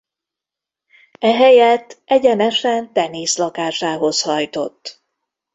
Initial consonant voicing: voiced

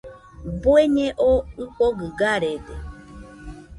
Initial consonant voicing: voiced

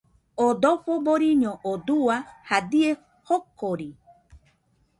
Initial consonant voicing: voiced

